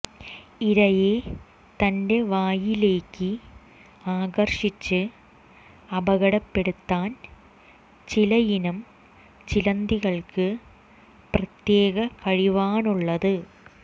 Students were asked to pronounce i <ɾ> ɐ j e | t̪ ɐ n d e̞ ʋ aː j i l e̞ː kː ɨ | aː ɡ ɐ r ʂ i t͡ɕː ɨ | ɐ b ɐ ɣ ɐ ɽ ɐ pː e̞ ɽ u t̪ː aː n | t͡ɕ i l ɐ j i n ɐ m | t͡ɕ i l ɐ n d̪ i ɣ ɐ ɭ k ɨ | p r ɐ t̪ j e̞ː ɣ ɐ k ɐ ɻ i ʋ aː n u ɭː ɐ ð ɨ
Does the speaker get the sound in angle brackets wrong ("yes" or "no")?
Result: no